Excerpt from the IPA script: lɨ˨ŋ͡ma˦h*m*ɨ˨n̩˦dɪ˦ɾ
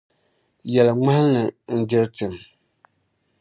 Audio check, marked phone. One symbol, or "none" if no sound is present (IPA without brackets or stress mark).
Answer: n